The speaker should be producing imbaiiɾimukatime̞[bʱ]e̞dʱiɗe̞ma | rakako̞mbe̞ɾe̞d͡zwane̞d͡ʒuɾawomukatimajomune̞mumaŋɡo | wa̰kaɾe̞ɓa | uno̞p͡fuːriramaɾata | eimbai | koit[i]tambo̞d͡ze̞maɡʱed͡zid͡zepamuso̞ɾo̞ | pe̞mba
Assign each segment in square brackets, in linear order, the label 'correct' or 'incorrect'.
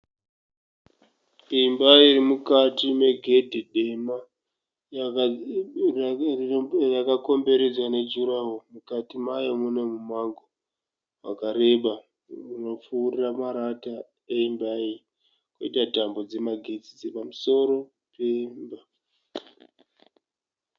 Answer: incorrect, incorrect

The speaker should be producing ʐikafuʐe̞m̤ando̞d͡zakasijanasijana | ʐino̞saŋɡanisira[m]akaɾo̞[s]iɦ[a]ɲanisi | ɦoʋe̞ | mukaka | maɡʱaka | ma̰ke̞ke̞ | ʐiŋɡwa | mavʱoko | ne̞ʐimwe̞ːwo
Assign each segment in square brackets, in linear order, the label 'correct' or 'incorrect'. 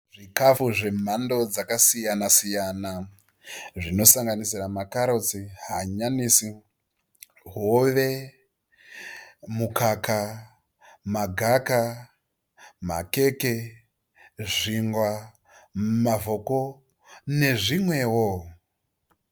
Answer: correct, incorrect, correct

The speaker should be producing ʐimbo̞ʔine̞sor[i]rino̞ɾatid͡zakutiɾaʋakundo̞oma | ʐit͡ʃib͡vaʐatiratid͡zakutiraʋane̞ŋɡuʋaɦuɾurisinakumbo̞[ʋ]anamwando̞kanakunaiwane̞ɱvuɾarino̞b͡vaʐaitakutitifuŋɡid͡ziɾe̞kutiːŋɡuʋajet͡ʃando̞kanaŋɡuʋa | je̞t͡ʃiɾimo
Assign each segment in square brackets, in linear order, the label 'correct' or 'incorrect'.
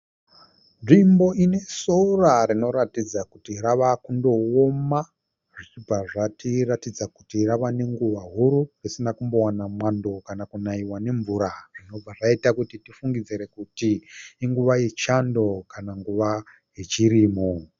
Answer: incorrect, incorrect

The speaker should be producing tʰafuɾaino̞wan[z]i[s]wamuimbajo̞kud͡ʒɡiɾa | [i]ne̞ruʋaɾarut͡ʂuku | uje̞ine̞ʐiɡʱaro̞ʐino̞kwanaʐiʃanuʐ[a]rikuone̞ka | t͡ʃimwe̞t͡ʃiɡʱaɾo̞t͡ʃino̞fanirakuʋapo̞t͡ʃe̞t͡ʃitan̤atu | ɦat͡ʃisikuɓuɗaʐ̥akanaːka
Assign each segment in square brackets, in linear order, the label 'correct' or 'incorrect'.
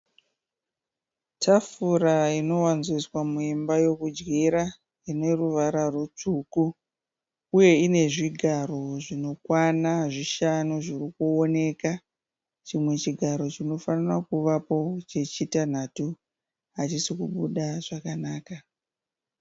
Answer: correct, correct, correct, incorrect

